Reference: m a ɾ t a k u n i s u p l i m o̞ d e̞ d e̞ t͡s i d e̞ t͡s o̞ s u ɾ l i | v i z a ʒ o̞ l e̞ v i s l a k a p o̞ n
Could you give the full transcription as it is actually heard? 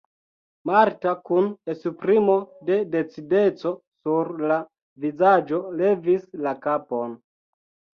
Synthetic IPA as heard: m a ɾ t a k u n e s u p ɾ i m o̞ d e̞ d e̞ t͡s i d e̞ t͡s o̞ s u ɾ l a | v i z a d͡ʒ o̞ l e̞ v i s l a k a p o̞ n